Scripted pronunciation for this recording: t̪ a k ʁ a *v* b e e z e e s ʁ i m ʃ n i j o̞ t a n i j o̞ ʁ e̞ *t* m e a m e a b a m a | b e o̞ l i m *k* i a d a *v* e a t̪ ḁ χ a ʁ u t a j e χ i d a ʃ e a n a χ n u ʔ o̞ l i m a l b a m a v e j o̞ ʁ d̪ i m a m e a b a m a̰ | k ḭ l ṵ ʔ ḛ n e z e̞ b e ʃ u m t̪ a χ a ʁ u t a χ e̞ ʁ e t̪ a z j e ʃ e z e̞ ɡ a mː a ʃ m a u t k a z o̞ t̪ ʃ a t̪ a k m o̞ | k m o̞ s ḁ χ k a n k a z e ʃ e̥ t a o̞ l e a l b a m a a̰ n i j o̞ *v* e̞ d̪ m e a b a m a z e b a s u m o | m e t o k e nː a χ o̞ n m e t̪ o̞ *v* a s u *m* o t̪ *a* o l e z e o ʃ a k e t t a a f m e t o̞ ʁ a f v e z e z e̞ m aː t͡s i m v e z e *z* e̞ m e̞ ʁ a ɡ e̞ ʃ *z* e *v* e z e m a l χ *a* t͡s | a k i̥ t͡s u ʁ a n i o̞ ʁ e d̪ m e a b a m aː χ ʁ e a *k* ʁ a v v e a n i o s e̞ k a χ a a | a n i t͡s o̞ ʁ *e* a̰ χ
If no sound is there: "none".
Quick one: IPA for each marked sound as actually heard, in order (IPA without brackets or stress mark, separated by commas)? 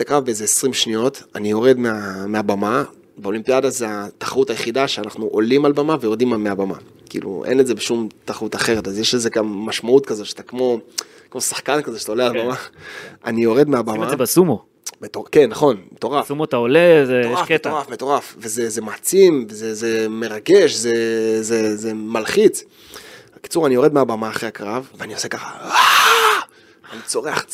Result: v, d, p, z, ʁ, ʁ, m, a, z, z, z, i, k, e